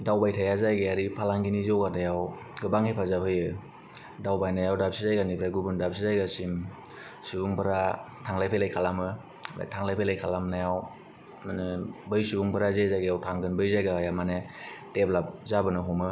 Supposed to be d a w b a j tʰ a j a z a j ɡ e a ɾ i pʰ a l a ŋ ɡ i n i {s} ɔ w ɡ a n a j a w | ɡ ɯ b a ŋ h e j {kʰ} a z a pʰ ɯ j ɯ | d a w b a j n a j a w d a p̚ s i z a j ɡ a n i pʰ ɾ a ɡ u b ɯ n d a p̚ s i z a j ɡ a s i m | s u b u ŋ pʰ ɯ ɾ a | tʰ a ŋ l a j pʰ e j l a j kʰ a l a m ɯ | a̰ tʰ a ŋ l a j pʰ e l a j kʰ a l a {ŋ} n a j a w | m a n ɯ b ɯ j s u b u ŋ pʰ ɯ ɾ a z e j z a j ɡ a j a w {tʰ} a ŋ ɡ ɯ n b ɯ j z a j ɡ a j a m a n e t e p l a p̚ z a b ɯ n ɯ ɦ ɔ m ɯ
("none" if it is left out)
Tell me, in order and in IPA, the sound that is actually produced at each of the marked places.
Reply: z, pʰ, m, tʰ

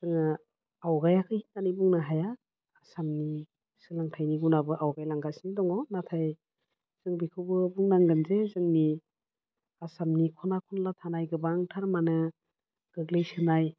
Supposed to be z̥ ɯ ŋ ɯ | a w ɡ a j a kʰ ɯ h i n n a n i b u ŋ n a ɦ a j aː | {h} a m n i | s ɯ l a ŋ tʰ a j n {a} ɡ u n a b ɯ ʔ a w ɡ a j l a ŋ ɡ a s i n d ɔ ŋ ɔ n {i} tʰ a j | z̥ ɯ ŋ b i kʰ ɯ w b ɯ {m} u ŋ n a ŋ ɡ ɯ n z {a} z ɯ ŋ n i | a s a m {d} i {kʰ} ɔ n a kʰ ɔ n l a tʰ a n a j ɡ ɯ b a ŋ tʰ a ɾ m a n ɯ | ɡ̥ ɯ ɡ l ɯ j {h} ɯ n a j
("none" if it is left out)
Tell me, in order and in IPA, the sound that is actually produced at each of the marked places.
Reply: s, i, a, b, e, n, kʰ, s

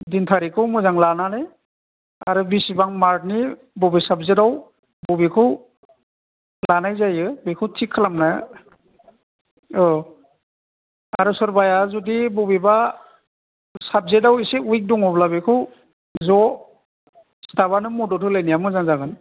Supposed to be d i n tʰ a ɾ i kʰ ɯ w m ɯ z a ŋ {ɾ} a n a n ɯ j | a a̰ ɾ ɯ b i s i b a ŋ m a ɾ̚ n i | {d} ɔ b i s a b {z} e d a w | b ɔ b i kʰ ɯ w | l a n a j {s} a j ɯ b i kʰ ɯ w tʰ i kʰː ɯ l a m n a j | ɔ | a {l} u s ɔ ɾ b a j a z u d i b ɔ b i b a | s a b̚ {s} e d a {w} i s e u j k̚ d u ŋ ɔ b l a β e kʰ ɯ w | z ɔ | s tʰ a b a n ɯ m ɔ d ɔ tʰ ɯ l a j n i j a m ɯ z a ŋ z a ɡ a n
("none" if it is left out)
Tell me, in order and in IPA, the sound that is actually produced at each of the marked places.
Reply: l, b, z, z, ɾ, z, w

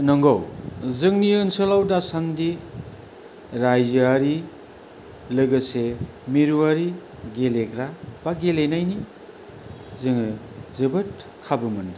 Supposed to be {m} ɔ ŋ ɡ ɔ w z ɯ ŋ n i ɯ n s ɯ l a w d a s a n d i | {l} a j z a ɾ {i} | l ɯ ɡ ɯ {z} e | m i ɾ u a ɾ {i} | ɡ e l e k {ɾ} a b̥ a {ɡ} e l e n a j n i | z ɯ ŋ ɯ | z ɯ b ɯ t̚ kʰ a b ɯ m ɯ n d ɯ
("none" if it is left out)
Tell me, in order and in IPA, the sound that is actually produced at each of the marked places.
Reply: n, ɾ, i, s, i, ɾ, ɡ

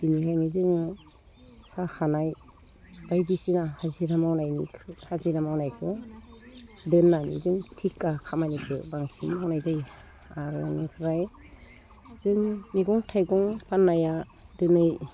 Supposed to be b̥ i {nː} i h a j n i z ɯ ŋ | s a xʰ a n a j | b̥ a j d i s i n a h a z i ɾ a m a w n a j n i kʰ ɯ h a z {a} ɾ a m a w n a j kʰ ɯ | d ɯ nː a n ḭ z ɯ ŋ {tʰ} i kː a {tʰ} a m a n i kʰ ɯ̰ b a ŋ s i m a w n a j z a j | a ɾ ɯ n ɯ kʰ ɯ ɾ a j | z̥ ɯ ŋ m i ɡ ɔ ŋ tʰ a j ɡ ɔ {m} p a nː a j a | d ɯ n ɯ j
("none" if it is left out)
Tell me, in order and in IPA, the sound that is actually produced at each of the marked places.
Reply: n, i, tʰ, kʰ, ŋ

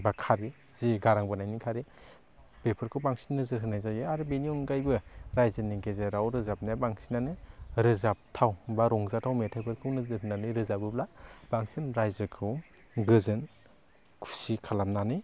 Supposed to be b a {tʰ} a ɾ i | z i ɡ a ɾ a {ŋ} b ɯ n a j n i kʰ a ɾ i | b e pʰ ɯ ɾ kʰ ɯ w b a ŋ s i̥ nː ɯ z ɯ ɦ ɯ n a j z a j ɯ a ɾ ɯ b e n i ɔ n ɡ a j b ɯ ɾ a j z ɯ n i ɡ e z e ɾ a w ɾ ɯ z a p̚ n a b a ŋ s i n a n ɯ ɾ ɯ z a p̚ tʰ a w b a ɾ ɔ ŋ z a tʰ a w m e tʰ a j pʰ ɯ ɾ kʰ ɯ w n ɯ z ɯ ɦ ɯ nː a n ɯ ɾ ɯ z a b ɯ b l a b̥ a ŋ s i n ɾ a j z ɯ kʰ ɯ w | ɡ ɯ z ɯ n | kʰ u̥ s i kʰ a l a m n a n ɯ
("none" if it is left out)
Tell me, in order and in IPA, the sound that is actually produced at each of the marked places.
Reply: kʰ, ŋ

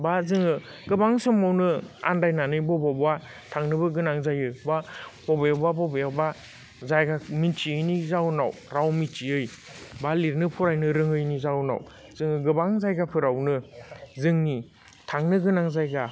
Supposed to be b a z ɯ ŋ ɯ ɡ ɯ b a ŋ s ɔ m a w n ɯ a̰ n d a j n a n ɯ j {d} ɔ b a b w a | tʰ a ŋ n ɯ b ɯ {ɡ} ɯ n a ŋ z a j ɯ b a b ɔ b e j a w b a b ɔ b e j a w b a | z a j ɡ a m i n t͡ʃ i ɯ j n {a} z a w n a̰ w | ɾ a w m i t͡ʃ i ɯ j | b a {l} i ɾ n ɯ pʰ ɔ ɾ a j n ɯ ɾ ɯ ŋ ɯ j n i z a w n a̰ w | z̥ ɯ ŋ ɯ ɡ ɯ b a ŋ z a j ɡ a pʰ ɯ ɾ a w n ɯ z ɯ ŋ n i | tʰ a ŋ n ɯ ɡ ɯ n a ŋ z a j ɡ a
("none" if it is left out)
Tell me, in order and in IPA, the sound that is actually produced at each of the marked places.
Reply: b, ɡ, i, l

